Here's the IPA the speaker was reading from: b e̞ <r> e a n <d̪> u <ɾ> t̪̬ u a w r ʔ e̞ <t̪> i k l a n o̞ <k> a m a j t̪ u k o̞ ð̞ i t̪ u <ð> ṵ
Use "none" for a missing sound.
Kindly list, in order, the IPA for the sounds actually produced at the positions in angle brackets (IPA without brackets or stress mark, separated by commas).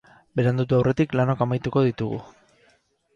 ɾ, d̪, none, t̪, k, ɣ